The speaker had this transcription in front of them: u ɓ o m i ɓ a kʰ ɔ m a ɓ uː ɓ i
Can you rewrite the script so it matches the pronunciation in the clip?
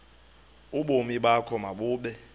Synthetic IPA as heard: u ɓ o m i ɓ a kʰ ɔ m a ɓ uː ɓ ɛ